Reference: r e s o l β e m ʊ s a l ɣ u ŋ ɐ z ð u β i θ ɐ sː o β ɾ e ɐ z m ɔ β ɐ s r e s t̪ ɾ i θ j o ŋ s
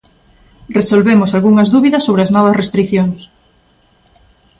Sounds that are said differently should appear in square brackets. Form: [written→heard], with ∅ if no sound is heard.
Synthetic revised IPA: r e s o l β e m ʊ s a l ɣ u ŋ ɐ z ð u β i [θ→ð] ɐ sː o β ɾ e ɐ z [m→n] ɔ β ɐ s r e s t̪ ɾ i θ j o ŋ s